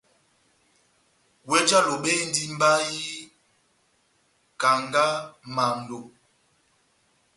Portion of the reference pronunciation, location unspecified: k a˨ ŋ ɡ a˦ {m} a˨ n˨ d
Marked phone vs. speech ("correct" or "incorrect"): correct